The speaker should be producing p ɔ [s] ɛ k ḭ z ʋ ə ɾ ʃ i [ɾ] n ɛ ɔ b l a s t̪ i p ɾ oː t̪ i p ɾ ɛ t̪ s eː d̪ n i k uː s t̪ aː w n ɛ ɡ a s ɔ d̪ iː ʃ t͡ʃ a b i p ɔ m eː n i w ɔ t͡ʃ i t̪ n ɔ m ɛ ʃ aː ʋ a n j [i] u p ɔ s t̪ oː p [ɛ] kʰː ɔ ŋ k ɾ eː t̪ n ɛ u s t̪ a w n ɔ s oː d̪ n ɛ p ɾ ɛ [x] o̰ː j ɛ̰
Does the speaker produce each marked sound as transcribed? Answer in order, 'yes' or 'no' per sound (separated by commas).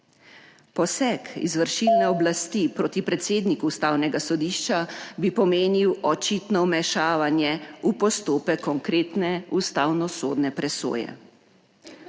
yes, no, no, yes, no